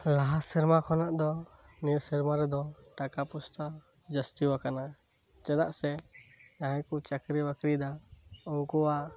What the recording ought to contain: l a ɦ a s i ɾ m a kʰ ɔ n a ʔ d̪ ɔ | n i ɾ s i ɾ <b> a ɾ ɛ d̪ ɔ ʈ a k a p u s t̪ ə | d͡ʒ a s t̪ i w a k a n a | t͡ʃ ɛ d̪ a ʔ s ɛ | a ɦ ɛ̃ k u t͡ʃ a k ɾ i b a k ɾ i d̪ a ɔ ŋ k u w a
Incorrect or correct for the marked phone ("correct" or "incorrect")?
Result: incorrect